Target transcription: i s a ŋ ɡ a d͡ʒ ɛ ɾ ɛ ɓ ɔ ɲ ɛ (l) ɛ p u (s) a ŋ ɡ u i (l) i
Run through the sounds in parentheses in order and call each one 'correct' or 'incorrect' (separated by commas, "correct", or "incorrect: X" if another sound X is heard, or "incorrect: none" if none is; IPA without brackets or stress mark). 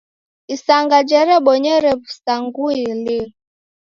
incorrect: ɾ, correct, correct